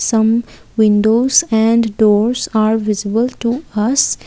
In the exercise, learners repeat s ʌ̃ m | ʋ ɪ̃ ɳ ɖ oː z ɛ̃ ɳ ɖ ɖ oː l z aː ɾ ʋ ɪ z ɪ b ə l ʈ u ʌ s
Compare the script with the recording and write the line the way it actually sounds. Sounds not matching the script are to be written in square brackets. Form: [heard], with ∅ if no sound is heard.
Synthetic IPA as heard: s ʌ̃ m | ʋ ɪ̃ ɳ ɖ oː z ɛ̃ ɳ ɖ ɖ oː [ɾ] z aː ɾ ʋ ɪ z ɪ b ə l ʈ u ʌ s